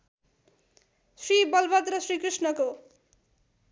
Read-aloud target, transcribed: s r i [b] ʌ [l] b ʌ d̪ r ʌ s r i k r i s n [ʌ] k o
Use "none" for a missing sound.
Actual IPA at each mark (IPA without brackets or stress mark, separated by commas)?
b, l, ʌ